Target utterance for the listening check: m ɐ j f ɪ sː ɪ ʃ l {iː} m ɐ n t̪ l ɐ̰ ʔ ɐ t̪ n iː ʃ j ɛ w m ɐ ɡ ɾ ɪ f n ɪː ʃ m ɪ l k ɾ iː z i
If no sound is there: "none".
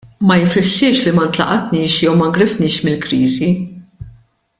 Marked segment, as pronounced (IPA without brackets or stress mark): i